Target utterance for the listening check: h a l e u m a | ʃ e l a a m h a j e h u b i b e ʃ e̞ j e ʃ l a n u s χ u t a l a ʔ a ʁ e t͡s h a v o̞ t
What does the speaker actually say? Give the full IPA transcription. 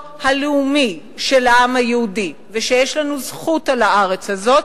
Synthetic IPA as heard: h a l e u m i | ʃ e l a a m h a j e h u d i v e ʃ e̞ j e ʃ l a n u z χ u t a l a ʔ a ʁ e t͡s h a z o̞ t